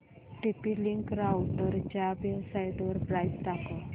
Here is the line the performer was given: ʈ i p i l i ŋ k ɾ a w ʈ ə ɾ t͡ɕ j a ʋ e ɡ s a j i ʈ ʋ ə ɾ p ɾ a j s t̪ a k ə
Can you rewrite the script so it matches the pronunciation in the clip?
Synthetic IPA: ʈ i p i l i ŋ k ɾ a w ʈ ə ɾ t͡ɕ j a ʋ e b s a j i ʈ ʋ ə ɾ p ɾ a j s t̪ a k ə